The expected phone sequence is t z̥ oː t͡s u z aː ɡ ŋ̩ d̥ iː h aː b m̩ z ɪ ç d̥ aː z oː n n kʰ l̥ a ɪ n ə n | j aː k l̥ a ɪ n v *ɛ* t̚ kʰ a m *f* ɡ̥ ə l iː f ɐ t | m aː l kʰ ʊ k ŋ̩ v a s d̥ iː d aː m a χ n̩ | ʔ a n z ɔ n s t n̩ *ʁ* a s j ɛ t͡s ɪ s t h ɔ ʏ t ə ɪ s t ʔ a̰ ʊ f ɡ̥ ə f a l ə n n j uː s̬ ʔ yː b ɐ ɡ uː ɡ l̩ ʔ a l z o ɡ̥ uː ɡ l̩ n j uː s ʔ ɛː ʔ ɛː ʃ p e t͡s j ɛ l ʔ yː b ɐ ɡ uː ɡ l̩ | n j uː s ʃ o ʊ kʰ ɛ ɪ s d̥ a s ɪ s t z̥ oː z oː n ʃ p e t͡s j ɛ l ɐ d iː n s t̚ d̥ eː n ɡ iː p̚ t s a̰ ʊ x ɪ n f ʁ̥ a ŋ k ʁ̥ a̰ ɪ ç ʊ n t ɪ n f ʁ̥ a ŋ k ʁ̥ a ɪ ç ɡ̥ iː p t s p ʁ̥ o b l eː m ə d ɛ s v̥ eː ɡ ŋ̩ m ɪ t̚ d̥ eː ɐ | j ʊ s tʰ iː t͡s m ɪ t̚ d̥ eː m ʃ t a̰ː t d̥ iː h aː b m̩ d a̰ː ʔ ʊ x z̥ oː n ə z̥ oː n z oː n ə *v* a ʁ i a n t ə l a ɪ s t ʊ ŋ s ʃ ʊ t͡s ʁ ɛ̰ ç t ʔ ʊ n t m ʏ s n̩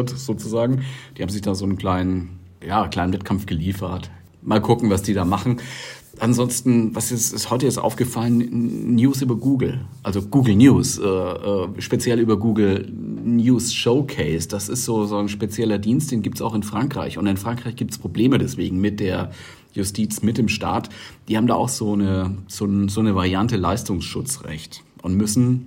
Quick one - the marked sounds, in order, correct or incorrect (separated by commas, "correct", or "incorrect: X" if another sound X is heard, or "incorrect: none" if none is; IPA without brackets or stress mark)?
correct, correct, incorrect: v, correct